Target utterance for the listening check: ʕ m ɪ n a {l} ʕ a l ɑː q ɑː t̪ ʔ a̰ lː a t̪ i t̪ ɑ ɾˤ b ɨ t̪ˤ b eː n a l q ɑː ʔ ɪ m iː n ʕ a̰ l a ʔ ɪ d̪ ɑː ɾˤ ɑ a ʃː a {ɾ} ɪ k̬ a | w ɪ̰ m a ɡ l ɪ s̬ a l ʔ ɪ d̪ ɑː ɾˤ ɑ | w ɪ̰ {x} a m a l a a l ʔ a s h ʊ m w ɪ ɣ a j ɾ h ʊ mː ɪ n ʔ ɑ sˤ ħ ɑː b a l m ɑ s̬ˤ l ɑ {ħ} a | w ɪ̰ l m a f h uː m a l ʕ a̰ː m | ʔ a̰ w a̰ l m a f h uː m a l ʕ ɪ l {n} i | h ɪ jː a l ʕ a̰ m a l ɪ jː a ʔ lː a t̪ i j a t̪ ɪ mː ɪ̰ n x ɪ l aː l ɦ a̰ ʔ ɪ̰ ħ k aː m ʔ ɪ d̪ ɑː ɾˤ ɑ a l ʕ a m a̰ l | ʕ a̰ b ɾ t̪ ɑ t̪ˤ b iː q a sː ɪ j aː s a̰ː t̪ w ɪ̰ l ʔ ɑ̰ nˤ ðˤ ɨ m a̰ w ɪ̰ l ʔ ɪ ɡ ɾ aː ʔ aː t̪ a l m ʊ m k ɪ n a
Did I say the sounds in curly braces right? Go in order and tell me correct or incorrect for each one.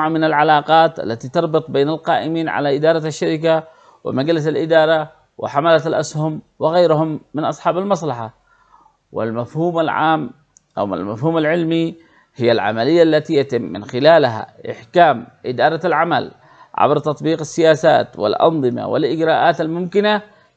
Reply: correct, correct, incorrect: ħ, correct, incorrect: m

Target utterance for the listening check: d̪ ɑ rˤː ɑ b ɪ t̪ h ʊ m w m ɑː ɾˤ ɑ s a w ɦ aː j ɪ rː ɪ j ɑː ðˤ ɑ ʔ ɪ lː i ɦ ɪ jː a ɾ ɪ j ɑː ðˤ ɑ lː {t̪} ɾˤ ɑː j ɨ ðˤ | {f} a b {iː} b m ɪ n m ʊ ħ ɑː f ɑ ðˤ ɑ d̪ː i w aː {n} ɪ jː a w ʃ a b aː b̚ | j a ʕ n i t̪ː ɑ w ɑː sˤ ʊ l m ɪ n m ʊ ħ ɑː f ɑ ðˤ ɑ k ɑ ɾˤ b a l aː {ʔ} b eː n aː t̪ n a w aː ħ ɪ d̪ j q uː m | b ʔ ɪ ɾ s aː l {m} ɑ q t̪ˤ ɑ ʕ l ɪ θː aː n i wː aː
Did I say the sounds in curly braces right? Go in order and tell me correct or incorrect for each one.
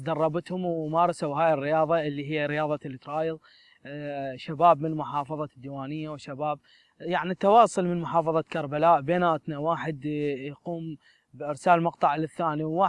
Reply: correct, incorrect: ʃ, incorrect: aː, correct, correct, correct

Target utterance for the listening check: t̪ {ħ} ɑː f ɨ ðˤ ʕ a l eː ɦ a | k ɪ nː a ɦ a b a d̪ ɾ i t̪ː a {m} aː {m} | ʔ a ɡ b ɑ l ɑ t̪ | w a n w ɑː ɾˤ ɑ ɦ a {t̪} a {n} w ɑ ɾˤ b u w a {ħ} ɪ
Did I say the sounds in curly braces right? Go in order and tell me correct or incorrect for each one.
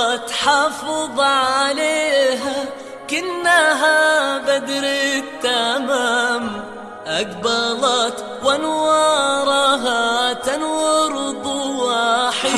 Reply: correct, correct, correct, correct, correct, correct

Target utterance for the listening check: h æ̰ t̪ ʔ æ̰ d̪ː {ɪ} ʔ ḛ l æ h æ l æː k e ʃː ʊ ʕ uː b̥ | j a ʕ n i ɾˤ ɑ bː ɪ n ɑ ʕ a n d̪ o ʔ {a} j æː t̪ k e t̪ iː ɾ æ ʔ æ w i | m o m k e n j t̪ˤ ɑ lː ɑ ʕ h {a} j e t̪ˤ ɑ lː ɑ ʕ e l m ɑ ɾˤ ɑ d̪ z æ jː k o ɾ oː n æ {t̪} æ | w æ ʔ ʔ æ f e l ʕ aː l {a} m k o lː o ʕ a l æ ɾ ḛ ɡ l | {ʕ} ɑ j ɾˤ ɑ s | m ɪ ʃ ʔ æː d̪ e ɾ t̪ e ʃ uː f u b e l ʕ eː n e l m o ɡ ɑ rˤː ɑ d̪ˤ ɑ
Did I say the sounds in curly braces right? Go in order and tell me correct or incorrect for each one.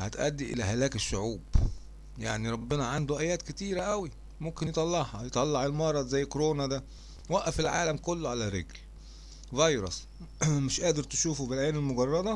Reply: incorrect: i, incorrect: æ, incorrect: ɑ, incorrect: d̪, incorrect: æ, incorrect: v

